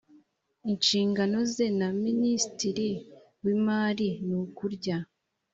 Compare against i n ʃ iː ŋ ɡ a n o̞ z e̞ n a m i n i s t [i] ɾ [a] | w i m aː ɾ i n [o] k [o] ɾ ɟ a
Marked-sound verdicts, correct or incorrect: correct, incorrect, incorrect, incorrect

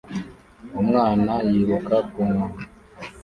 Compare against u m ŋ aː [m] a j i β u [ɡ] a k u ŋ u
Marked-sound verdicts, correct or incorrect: incorrect, incorrect

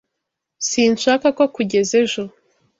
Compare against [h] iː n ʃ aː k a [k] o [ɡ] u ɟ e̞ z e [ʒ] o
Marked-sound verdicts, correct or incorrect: incorrect, correct, incorrect, correct

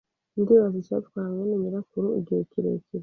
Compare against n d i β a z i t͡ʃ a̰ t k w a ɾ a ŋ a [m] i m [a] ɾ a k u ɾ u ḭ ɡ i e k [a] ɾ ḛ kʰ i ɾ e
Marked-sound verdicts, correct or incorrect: incorrect, incorrect, incorrect

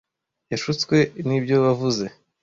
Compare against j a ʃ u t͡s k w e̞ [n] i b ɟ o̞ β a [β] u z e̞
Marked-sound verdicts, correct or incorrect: correct, incorrect

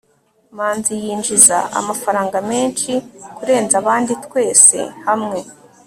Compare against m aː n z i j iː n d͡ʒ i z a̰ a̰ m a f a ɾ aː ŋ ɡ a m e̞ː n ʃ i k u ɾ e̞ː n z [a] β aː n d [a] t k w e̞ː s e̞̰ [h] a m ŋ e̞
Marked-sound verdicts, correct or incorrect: correct, incorrect, correct

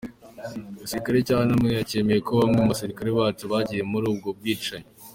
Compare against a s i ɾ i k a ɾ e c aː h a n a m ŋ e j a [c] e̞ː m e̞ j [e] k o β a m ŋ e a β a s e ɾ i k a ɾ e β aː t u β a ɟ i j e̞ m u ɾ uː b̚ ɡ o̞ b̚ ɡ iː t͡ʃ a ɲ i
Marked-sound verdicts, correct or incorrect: correct, correct

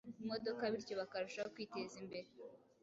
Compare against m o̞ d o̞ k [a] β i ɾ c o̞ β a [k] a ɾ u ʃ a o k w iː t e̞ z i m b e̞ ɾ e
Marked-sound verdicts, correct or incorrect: correct, correct

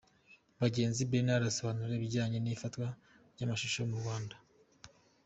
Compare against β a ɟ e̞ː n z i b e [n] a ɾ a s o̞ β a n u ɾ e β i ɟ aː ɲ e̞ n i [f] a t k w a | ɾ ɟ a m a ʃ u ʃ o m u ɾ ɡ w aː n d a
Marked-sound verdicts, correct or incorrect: correct, correct

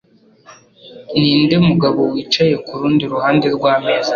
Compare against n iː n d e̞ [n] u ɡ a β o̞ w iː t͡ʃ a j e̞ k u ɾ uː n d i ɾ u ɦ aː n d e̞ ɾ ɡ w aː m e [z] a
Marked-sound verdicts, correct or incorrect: incorrect, correct

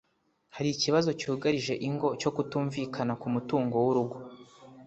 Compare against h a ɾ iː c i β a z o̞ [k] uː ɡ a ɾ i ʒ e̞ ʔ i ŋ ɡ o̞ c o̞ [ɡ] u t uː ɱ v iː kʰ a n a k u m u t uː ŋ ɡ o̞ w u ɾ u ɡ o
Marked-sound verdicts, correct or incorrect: incorrect, incorrect

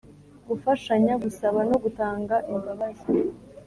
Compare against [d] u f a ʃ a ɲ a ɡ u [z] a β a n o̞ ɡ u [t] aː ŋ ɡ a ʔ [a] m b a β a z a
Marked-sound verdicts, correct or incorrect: incorrect, incorrect, correct, incorrect

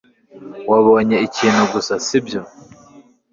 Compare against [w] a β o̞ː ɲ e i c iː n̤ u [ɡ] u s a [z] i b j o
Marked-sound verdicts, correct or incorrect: correct, correct, incorrect

